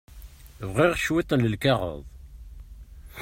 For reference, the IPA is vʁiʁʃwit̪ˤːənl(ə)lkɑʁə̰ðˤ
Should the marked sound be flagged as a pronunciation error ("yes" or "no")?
no